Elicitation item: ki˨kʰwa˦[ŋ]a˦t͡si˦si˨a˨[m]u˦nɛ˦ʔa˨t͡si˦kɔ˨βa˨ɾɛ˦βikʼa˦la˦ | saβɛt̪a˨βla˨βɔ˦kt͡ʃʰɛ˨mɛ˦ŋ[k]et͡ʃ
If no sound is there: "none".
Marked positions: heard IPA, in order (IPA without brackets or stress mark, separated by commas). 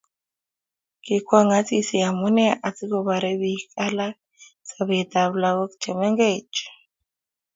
ŋ, m, ɡ